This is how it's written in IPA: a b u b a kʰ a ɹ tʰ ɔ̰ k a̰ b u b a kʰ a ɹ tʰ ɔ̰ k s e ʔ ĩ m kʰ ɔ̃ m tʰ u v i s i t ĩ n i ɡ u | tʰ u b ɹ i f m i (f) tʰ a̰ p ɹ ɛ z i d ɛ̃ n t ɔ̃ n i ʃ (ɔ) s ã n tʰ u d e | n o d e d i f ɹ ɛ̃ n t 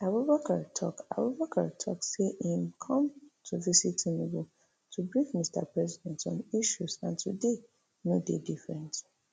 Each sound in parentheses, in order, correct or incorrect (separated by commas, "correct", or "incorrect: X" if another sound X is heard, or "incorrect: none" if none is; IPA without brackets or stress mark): incorrect: s, incorrect: u